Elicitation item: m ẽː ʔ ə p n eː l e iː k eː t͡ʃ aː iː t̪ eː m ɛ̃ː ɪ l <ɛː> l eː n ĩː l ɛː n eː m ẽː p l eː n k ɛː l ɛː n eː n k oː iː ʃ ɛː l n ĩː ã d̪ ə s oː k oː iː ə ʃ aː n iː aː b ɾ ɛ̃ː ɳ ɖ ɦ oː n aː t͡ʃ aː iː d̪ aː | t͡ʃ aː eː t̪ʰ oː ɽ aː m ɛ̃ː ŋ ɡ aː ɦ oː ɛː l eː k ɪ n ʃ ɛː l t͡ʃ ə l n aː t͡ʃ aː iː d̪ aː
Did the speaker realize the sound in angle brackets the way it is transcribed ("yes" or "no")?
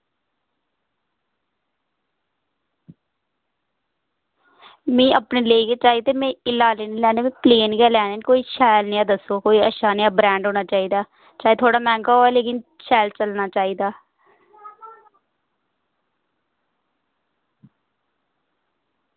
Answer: no